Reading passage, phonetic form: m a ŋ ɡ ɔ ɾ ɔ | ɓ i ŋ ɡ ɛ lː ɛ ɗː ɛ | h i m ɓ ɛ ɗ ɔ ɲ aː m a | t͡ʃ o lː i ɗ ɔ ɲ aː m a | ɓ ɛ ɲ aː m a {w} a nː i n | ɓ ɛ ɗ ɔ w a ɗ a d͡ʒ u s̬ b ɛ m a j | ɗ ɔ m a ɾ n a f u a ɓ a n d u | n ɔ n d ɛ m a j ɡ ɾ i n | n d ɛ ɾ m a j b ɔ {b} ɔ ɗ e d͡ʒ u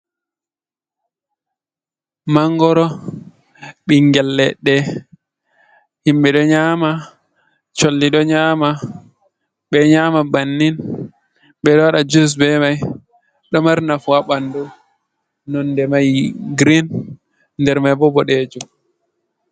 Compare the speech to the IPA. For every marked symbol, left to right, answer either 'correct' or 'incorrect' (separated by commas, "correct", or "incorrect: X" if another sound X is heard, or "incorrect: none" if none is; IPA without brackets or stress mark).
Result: incorrect: b, correct